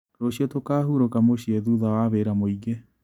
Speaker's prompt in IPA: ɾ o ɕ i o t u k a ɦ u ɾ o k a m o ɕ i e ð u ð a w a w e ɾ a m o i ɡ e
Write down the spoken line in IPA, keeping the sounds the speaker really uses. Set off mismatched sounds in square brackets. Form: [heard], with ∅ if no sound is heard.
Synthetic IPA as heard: ɾ o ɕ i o t [o] k a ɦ u ɾ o k a m o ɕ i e ð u ð a w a [β] e ɾ a m o i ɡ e